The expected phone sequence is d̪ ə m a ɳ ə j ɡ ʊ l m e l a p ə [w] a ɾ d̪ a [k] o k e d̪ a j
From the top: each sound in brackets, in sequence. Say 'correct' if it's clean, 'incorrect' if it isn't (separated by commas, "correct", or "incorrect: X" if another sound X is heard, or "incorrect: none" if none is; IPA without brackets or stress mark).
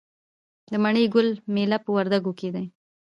correct, incorrect: ɡ